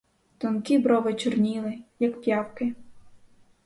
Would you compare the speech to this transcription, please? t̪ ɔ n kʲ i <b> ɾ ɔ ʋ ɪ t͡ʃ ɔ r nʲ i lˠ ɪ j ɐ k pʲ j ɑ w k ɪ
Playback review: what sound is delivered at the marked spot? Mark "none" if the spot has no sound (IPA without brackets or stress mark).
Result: b